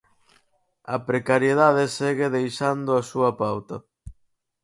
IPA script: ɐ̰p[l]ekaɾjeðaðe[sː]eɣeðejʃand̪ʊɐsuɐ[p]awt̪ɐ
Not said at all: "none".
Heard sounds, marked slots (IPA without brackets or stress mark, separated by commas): ɾ, s, p